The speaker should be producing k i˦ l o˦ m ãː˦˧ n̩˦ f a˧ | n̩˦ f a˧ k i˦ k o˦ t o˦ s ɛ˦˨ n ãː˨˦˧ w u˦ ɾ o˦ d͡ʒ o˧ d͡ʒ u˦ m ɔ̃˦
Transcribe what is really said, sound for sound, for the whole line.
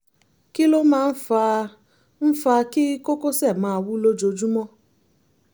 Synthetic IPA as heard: k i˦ l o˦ m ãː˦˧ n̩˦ f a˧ | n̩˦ f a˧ k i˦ k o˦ k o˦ s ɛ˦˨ m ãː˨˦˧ w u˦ l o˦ d͡ʒ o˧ d͡ʒ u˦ m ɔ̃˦